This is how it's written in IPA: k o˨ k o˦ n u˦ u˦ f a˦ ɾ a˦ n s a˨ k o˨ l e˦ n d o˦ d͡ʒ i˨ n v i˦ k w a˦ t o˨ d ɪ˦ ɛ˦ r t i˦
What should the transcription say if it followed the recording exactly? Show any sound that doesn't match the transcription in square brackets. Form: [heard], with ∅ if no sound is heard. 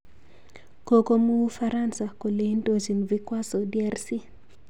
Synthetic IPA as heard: k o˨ k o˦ [m] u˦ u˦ f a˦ ɾ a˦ n s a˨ k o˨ l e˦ n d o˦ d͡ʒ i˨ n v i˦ k w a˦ [s] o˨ d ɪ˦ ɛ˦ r [s] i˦

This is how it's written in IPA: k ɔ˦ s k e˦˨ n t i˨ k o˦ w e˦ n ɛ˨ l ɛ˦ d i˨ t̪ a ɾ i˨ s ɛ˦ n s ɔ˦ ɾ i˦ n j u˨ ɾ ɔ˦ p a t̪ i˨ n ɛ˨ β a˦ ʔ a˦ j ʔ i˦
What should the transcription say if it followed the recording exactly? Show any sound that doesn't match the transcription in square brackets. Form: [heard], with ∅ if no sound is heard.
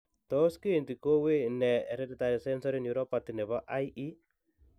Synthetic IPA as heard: [t] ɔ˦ s k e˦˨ n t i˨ k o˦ w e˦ n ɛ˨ [ɾ] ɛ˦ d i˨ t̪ a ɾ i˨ s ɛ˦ n s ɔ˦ ɾ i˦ n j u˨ ɾ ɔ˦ p a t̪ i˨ n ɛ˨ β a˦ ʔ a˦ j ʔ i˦

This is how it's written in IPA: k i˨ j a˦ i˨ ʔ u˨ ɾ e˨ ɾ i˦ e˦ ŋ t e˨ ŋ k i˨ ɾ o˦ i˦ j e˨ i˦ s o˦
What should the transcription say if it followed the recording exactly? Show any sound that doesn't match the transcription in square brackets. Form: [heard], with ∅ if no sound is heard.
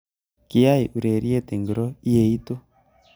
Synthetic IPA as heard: k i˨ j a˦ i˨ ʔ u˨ ɾ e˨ ɾ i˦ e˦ [∅] t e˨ ŋ [ɡ] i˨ ɾ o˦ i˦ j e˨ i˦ [t] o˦

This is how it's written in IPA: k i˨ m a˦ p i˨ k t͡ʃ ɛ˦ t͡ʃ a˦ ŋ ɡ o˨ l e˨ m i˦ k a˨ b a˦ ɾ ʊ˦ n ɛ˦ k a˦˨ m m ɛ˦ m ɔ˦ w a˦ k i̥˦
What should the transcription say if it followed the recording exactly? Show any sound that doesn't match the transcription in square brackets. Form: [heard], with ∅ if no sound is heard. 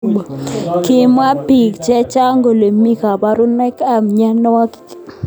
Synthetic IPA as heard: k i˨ m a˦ p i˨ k t͡ʃ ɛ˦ t͡ʃ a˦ ŋ ɡ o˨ l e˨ m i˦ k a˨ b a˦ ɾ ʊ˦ n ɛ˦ k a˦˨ m [ɲ] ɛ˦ [n] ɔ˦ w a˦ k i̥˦

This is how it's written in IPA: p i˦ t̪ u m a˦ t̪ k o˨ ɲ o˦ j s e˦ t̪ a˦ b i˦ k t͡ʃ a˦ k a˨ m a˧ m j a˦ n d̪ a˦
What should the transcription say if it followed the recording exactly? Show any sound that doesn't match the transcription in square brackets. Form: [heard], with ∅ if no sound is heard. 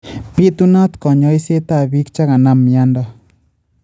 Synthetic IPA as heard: p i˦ t̪ u [n] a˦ t̪ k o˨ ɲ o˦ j s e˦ t̪ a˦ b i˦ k t͡ʃ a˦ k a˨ [n] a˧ m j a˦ n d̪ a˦

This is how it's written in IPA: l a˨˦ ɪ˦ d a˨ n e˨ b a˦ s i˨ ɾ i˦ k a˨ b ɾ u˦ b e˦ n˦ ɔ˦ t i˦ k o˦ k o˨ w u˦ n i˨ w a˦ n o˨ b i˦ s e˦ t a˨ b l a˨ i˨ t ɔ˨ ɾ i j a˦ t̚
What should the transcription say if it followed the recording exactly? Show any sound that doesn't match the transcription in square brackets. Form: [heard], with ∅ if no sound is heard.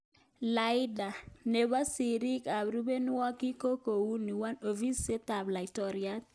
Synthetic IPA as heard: l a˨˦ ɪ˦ d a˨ n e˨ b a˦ s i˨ ɾ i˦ k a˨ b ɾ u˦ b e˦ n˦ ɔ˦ [k] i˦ k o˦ k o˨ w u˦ n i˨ w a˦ n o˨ [v] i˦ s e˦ t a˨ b l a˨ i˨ t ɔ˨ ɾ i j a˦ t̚

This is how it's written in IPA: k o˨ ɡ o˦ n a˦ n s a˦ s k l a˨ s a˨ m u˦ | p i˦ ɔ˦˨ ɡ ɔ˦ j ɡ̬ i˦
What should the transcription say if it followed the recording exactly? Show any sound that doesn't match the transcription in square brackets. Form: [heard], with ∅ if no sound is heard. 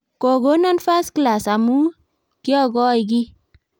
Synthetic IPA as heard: k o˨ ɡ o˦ n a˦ n [f] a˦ s k l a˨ s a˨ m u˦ | [k] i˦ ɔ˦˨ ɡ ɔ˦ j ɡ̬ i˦

